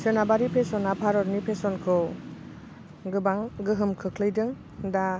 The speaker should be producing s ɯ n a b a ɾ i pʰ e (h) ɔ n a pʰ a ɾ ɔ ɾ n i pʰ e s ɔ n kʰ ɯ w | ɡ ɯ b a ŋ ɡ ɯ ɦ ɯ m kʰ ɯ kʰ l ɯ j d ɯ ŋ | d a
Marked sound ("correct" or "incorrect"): incorrect